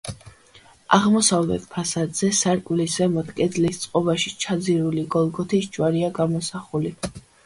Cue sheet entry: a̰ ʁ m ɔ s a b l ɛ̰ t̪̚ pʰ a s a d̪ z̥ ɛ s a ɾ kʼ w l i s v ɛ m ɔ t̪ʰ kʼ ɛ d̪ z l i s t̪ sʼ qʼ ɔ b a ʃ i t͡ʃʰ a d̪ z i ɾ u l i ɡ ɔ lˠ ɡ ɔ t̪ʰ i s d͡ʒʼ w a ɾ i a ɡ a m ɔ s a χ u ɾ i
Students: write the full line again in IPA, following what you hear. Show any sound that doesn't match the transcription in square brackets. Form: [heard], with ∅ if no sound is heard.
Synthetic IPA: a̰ ʁ m ɔ s a [v] l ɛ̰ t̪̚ pʰ a s a d̪ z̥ ɛ s a ɾ kʼ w l i s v ɛ m ɔ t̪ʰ kʼ ɛ d̪ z l i s t̪ sʼ qʼ ɔ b a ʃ i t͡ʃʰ a d̪ z i ɾ u l i ɡ ɔ lˠ ɡ ɔ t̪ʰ i s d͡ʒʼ w a ɾ i a ɡ a m ɔ s a χ u [l] i

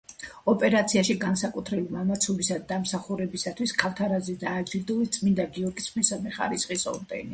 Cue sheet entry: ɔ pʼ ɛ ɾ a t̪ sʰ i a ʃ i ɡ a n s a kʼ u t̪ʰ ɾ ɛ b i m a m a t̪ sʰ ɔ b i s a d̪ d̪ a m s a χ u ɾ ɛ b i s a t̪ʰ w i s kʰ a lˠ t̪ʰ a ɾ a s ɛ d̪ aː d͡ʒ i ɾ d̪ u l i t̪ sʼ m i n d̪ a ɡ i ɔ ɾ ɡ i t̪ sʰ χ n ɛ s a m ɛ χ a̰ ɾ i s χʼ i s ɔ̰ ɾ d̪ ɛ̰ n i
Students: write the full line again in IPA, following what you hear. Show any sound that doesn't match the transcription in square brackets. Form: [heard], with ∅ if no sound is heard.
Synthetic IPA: ɔ pʼ ɛ ɾ a t̪ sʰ i a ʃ i ɡ a n s a kʼ u t̪ʰ ɾ ɛ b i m a m a t̪ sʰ ɔ b i s a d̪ d̪ a m s a χ u ɾ ɛ b i s a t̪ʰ w i s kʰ a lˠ t̪ʰ a ɾ a [z] ɛ d̪ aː d͡ʒ i ɾ d̪ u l i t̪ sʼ m i n d̪ a ɡ i ɔ ɾ ɡ i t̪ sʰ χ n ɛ s a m ɛ χ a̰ ɾ i s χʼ i s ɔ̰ ɾ d̪ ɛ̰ n i

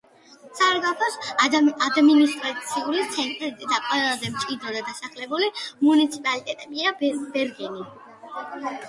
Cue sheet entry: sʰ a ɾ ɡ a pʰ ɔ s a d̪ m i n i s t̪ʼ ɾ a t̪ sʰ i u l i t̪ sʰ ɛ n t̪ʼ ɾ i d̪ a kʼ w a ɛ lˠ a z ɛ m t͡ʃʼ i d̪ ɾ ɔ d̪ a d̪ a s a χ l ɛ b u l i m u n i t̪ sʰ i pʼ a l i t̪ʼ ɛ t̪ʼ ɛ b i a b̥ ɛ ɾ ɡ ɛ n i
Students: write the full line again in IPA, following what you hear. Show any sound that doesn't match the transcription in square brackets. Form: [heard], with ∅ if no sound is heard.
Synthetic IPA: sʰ a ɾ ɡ a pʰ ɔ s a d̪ m i n i s t̪ʼ ɾ a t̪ sʰ i u l i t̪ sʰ ɛ n t̪ʼ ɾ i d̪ a kʼ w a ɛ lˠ a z ɛ m t͡ʃʼ i d̪ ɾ ɔ d̪ a d̪ a s a χ l ɛ b u l i m u n i t̪ sʰ i pʼ a l i t̪ʼ ɛ t̪ʼ ɛ b i a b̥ ɛ ɾ ɡ ɛ n i

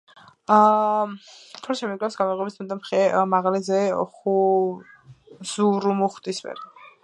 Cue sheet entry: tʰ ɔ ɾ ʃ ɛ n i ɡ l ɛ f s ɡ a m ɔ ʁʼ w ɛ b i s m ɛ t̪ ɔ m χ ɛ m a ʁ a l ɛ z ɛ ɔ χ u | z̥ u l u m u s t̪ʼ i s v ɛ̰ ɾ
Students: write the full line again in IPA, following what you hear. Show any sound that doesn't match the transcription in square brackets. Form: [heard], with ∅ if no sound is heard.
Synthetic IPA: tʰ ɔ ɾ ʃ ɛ [m] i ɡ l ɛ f s ɡ a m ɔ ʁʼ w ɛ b i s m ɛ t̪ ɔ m χ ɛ m a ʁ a l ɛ z ɛ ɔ χ u | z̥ u [ɾ] u m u [χ] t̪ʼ i s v ɛ̰ ɾ

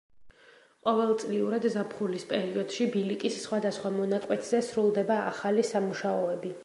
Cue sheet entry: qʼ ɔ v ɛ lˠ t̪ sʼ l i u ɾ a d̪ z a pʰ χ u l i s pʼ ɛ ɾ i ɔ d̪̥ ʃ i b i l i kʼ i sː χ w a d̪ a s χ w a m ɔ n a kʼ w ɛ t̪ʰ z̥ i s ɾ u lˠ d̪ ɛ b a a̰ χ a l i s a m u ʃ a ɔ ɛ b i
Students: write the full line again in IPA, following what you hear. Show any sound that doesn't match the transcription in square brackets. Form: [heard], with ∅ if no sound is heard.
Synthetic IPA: qʼ ɔ v ɛ lˠ t̪ sʼ l i u ɾ a d̪ z a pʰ χ u l i s pʼ ɛ ɾ i ɔ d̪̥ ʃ i b i l i kʼ i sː χ w a d̪ a s χ w a m ɔ n a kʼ w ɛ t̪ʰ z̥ [ɛ] s ɾ u lˠ d̪ ɛ b a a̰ χ a l i s a m u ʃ a ɔ ɛ b i

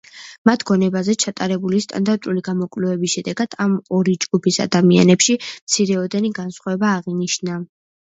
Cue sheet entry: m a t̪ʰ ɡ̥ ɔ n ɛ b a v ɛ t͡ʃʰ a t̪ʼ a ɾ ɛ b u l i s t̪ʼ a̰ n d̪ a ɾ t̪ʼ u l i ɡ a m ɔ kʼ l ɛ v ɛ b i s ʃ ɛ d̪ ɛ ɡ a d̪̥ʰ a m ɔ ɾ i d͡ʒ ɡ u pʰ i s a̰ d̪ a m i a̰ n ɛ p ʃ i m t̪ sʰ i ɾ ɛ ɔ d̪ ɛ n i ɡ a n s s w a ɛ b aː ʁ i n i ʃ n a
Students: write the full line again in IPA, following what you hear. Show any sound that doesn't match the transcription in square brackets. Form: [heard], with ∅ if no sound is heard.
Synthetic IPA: m a t̪ʰ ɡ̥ ɔ n ɛ b a [z] ɛ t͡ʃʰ a t̪ʼ a ɾ ɛ b u l i s t̪ʼ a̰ n d̪ a ɾ t̪ʼ u l i ɡ a m ɔ kʼ l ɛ v ɛ b i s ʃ ɛ d̪ ɛ ɡ a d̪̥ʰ a m ɔ ɾ i d͡ʒ ɡ u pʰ i s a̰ d̪ a m i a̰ n ɛ p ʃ i m t̪ sʰ i ɾ ɛ ɔ d̪ ɛ n i ɡ a n s [χ] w a ɛ b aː ʁ i n i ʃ n a

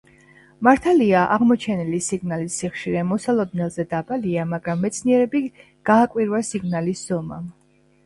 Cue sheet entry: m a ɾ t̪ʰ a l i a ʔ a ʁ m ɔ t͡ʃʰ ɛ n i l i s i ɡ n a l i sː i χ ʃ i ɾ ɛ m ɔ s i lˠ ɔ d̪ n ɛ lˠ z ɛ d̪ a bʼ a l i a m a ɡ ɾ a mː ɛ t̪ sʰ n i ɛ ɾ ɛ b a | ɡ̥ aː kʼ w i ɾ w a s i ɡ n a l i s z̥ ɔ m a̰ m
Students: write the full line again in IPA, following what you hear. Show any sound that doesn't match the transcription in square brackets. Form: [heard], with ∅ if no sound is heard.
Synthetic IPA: m a ɾ t̪ʰ a l i a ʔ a ʁ m ɔ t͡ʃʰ ɛ n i l i s i ɡ n a l i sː i χ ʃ i ɾ ɛ m ɔ s [a] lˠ ɔ d̪ n ɛ lˠ z ɛ d̪ a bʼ a l i a m a ɡ ɾ a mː ɛ t̪ sʰ n i ɛ ɾ ɛ b [i] | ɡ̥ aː kʼ w i ɾ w a s i ɡ n a l i s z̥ ɔ m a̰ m

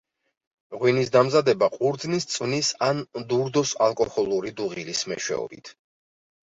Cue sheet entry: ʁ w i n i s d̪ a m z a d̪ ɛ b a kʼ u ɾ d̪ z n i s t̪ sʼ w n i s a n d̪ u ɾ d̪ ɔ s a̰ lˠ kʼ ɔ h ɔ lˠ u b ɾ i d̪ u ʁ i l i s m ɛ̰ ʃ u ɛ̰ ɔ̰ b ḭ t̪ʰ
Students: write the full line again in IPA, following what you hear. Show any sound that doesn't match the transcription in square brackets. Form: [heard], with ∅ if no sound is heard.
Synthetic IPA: ʁ w i n i s d̪ a m z a d̪ ɛ b a [qʼ] u ɾ d̪ z n i s t̪ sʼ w n i s a n d̪ u ɾ d̪ ɔ s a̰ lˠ kʼ ɔ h ɔ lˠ u [∅] ɾ i d̪ u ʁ i l i s m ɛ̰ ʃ [w] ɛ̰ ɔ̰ b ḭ t̪ʰ

